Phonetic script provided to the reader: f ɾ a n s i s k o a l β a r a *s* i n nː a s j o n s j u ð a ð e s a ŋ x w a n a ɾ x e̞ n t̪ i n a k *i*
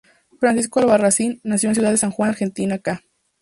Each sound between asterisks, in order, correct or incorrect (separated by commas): correct, incorrect